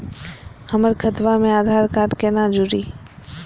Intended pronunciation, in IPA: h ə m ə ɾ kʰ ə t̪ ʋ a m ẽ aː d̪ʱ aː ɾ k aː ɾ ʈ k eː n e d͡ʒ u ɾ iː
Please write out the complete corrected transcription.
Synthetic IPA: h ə m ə ɾ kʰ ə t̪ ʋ a m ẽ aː d̪ʱ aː ɾ k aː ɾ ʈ k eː n a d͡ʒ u ɾ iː